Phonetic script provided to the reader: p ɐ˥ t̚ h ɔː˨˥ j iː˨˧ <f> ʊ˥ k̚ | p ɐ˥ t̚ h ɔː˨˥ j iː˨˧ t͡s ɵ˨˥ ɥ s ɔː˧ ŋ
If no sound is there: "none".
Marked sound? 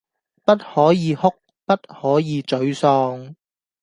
h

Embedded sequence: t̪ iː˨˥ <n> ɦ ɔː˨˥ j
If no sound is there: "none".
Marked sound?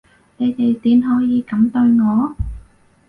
n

